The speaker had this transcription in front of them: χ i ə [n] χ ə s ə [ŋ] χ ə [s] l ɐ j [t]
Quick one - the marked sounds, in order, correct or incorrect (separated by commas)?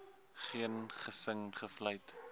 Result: correct, correct, incorrect, correct